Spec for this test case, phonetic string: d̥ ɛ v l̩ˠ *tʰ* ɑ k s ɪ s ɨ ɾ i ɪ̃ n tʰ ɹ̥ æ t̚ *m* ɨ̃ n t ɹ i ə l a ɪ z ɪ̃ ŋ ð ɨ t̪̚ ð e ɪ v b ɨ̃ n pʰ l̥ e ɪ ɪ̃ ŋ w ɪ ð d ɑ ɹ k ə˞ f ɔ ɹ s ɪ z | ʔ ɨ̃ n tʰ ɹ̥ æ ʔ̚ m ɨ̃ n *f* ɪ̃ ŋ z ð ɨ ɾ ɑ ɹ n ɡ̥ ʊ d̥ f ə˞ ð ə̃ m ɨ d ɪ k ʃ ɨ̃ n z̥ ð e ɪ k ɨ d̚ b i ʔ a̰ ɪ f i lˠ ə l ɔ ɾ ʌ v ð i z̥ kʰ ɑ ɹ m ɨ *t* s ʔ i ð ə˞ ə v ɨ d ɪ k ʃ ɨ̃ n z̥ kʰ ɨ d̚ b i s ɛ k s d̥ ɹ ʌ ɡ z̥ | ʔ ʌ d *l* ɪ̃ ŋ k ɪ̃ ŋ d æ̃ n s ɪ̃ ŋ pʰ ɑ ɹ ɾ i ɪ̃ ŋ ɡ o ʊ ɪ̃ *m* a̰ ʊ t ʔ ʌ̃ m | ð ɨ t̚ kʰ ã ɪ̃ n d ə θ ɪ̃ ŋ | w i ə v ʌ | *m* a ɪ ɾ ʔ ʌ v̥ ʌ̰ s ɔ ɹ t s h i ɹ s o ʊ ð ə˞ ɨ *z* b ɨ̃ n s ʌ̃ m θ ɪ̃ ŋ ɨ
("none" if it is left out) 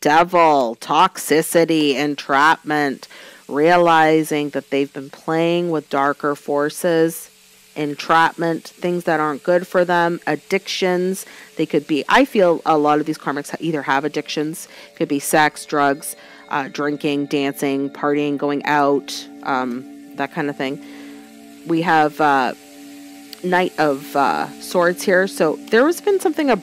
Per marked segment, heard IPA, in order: tʰ, m, θ, k, ɹ, ŋ, n, z

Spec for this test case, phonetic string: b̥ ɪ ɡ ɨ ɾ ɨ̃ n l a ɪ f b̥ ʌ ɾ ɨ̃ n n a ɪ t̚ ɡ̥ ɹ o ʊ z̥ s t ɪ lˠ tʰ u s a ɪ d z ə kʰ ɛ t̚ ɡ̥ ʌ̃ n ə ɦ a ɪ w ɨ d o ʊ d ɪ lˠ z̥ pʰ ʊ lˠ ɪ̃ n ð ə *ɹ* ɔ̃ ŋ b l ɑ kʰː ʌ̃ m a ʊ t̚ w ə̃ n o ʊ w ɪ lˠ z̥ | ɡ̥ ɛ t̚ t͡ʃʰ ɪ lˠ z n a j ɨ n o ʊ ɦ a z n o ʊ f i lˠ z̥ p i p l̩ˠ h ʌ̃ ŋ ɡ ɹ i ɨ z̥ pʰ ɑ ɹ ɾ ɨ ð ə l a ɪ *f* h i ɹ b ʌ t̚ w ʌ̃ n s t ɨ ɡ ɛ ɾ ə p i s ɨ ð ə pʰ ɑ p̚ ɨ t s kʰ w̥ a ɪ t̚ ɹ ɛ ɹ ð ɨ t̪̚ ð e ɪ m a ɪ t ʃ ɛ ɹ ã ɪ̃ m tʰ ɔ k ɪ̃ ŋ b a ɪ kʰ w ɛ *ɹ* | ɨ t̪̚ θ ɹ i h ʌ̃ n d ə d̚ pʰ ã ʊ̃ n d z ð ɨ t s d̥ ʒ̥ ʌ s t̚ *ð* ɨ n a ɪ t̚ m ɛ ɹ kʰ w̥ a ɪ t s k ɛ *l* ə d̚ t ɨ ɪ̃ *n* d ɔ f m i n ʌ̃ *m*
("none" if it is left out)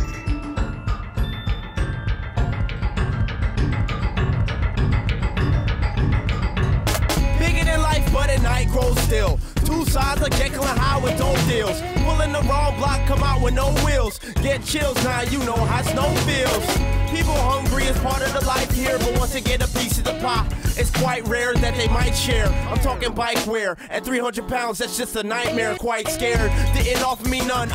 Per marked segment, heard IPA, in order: ɹ, f, ɹ, ð, ɹ, n, n

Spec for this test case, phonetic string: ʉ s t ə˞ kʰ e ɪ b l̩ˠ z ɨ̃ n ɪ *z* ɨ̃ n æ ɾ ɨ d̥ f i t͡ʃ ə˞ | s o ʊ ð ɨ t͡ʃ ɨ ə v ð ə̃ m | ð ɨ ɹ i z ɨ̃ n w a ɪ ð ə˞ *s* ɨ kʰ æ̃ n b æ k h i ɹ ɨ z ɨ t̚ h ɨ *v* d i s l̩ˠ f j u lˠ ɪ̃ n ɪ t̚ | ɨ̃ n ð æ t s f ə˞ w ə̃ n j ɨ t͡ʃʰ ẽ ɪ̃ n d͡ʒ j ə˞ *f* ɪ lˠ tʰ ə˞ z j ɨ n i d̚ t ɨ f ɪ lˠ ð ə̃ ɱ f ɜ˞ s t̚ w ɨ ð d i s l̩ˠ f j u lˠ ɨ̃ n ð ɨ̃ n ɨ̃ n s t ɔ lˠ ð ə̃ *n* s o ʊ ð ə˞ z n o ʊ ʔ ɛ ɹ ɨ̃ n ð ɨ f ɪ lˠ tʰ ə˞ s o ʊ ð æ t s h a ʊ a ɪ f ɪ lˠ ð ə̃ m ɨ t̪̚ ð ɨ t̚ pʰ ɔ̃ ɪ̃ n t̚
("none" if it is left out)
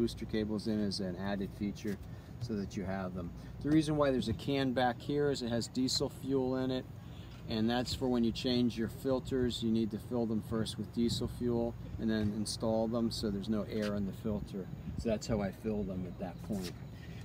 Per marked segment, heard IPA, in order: z, z, z, f, m

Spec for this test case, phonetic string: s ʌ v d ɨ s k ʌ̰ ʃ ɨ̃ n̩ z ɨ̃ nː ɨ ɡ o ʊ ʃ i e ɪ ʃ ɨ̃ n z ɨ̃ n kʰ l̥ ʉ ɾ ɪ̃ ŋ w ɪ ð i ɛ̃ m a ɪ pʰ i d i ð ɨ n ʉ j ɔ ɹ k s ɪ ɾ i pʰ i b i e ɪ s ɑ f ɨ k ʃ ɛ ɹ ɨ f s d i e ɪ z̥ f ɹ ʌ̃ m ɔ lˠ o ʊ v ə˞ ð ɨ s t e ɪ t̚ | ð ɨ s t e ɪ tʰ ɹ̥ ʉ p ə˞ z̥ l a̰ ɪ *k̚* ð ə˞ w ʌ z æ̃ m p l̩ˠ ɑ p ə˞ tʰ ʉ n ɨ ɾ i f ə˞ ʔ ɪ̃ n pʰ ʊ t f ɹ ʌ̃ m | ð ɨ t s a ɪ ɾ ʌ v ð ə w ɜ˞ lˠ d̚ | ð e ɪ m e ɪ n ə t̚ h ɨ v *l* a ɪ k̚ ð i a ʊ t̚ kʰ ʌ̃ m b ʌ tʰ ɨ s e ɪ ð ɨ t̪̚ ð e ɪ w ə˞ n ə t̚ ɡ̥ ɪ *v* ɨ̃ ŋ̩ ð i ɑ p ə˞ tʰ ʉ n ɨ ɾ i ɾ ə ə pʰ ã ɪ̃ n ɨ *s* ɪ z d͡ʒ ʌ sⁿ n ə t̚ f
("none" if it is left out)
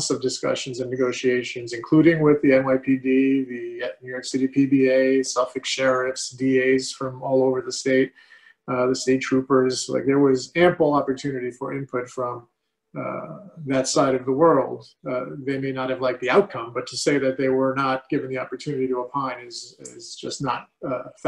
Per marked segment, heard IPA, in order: k̚, l, v, z

